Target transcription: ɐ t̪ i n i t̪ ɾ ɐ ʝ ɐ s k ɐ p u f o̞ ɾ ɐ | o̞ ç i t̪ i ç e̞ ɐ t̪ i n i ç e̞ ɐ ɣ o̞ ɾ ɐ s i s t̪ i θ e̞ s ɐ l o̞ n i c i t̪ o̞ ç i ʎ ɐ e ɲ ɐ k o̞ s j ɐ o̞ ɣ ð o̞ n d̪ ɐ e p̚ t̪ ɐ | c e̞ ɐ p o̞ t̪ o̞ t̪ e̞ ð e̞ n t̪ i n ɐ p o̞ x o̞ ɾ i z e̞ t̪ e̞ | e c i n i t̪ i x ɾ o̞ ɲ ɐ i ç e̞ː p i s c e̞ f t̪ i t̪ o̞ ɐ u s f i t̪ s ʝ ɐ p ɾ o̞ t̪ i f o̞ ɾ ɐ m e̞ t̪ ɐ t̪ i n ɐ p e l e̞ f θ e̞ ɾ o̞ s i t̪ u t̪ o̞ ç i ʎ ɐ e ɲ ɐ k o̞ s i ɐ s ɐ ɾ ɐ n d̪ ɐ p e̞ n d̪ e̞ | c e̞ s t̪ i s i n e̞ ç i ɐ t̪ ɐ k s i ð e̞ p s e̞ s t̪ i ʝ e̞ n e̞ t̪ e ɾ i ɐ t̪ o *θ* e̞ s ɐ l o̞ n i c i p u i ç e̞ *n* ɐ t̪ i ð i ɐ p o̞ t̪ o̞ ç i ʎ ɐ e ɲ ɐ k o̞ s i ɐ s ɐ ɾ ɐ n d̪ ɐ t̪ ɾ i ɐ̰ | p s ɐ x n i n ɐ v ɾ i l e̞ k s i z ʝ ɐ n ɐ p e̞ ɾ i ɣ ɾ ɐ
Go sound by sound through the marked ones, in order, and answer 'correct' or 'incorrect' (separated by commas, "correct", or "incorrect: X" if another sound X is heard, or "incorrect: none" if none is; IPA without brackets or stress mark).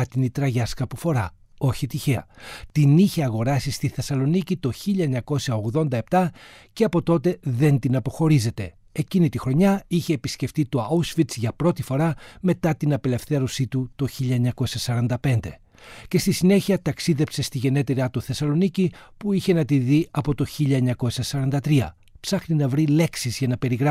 correct, correct